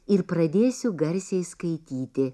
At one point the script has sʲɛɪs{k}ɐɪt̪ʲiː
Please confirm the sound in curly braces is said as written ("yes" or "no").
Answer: yes